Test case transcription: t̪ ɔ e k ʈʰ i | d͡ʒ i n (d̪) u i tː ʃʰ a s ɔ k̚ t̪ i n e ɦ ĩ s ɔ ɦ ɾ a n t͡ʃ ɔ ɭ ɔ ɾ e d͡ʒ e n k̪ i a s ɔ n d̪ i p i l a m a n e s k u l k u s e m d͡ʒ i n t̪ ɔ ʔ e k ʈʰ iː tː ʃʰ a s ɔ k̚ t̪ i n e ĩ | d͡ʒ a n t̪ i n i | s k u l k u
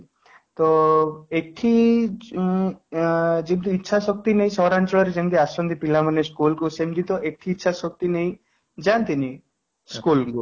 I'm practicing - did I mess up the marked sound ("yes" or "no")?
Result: yes